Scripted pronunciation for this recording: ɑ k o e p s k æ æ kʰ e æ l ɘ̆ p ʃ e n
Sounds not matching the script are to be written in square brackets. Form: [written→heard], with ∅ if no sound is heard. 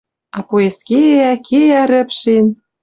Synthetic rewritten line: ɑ [k→p] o e [p→∅] s k [æ→e] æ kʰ e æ [l→ɾ] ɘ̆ p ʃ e n